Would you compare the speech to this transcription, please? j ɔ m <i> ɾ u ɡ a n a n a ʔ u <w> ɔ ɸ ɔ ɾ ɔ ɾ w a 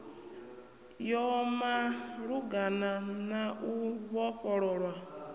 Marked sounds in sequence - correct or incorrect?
incorrect: a, incorrect: β

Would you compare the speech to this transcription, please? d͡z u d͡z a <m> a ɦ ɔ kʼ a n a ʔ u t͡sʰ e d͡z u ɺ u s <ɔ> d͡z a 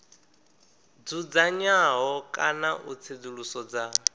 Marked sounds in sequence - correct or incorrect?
incorrect: ɲ, correct

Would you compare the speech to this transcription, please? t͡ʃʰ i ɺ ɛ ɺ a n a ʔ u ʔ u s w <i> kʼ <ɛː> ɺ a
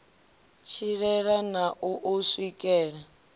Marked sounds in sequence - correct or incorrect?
correct, correct

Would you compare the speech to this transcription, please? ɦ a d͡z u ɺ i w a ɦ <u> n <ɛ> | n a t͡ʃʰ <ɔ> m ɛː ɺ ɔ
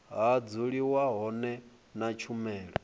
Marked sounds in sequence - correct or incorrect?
incorrect: ɔ, correct, incorrect: u

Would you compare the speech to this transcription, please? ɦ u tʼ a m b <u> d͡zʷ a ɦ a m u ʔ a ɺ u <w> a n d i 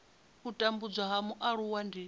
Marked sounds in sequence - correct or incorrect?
correct, correct

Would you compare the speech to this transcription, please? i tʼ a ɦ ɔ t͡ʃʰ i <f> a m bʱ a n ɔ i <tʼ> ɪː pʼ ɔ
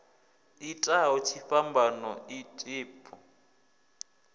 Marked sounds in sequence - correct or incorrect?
correct, correct

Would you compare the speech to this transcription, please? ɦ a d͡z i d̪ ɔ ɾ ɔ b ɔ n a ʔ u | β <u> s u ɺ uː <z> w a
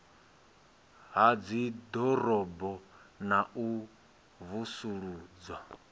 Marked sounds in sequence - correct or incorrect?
correct, incorrect: d͡z

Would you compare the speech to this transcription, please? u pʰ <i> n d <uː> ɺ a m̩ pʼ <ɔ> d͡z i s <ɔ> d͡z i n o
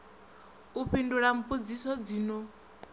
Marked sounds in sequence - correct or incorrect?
correct, incorrect: u, incorrect: u, correct

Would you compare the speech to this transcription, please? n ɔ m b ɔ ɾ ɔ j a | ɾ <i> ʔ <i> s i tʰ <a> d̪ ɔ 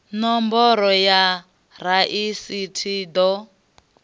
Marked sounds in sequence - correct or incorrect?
incorrect: a, correct, incorrect: i

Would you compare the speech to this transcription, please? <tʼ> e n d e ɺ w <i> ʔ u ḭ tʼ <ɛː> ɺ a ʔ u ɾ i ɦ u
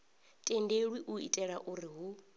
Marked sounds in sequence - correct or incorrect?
correct, correct, incorrect: ɛ

